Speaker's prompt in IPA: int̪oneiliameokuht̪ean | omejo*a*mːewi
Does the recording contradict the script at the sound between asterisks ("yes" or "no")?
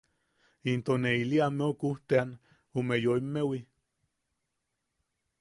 yes